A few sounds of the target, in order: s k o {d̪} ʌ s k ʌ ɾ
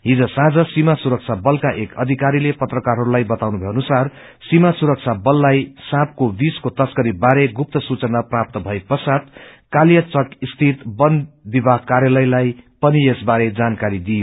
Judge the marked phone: incorrect: t̪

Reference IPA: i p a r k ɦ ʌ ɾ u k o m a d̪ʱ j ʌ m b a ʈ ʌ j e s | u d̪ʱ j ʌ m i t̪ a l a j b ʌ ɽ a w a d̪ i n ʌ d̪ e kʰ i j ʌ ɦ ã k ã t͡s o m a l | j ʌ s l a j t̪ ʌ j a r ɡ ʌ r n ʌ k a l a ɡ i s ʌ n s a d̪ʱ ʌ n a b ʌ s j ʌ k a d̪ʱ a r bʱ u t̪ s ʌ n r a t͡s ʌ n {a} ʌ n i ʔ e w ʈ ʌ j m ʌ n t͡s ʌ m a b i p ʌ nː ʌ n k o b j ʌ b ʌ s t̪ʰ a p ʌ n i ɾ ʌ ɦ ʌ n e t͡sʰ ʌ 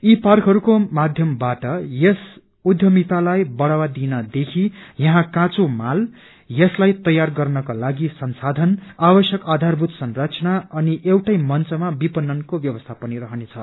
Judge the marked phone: correct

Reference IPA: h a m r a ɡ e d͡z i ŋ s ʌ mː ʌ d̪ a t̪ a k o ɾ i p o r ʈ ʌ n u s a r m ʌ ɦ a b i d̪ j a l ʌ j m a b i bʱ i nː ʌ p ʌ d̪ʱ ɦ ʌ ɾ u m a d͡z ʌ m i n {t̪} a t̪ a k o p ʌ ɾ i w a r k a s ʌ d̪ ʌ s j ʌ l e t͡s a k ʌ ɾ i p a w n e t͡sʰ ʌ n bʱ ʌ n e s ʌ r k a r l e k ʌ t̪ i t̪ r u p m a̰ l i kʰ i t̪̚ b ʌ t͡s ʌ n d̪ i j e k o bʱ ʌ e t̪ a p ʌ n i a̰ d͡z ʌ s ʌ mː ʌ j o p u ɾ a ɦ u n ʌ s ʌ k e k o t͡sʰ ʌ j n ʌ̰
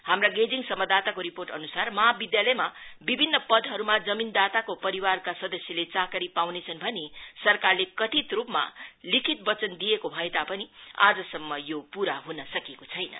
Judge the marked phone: incorrect: d̪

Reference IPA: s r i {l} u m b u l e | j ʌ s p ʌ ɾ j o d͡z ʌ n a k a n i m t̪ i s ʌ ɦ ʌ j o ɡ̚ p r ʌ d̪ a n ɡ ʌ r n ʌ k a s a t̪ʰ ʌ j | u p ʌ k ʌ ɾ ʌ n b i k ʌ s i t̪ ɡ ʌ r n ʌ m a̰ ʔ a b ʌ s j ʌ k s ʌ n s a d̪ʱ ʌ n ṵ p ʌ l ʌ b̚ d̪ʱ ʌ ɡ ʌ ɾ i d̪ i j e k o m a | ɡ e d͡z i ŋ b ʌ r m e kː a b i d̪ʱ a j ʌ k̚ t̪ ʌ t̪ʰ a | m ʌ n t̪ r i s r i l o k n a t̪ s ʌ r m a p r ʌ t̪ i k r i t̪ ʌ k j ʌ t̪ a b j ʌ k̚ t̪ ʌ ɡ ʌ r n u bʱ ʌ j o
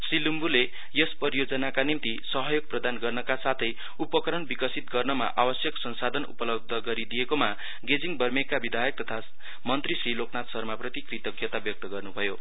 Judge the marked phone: correct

